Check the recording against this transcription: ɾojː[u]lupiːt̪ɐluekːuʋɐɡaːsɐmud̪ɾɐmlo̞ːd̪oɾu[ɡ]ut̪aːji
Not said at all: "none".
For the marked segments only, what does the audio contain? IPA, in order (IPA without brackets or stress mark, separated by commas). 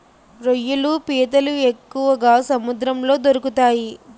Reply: u, k